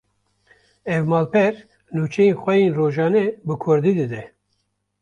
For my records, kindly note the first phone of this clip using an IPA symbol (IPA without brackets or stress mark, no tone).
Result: ɛ